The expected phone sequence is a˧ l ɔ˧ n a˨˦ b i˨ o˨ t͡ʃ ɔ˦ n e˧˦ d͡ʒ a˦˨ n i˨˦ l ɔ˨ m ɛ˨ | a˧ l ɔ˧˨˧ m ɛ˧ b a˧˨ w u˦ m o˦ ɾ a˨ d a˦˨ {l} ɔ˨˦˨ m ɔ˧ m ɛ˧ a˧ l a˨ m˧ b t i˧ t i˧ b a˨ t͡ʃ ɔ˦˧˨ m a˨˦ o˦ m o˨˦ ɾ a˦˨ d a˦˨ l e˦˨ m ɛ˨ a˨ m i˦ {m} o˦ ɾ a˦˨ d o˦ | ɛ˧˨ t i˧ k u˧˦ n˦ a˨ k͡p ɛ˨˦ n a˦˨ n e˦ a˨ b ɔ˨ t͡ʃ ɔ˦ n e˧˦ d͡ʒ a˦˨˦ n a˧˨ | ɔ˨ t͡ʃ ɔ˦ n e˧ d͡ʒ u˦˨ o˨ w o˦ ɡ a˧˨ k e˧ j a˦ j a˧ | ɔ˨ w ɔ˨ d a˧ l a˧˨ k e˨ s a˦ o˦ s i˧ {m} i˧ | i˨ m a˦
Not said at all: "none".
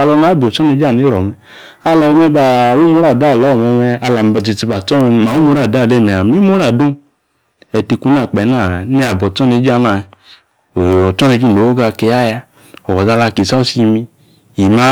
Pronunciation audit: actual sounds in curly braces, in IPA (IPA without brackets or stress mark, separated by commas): l, m, m